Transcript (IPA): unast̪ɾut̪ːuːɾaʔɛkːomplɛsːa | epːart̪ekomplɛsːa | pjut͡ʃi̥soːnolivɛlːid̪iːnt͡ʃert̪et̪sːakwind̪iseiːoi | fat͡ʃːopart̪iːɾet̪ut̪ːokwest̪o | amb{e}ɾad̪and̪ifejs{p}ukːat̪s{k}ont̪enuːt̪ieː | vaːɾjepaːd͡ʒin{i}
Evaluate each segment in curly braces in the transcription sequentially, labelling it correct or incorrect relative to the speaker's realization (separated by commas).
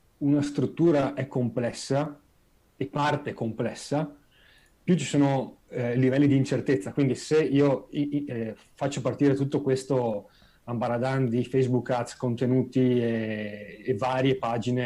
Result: incorrect, incorrect, correct, incorrect